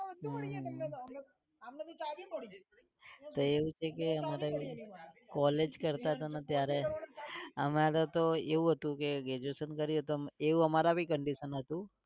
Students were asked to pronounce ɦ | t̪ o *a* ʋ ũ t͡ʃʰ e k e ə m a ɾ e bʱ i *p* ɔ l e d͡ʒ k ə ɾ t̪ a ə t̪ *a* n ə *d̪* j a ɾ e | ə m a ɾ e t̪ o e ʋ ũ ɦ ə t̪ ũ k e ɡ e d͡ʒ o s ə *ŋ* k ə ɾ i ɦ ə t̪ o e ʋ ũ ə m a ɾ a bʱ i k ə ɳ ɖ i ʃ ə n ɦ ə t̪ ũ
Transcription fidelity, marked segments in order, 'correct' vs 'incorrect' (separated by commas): incorrect, incorrect, correct, incorrect, incorrect